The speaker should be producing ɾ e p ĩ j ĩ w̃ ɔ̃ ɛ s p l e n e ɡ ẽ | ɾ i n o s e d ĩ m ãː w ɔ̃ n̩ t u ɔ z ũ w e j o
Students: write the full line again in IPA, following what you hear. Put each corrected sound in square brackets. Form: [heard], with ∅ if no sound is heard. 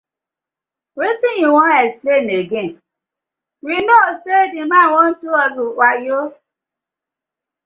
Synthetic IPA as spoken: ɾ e [t] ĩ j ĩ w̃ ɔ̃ ɛ s p l e n e ɡ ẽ | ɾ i n o s e d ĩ m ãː w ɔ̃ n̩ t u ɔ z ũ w [a] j o